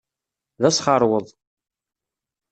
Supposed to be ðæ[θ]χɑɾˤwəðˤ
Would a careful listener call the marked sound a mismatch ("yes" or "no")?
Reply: yes